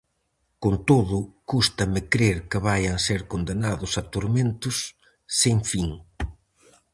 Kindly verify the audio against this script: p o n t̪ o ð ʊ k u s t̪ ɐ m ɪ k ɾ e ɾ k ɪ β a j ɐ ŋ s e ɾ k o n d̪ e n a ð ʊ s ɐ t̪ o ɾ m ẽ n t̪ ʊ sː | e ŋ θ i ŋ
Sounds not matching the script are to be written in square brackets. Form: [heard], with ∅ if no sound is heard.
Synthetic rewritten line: [k] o n t̪ o ð ʊ k u s t̪ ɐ m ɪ k ɾ e ɾ k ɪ β a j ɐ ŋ s e ɾ k o n d̪ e n a ð ʊ s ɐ t̪ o ɾ m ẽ n t̪ ʊ sː | e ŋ [f] i ŋ